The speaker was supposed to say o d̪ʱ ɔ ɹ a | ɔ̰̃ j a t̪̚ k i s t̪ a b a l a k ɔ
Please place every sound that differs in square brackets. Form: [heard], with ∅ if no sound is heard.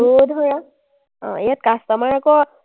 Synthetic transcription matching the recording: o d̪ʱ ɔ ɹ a | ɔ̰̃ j a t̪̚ k [a] s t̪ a [m] a [ɹ] a k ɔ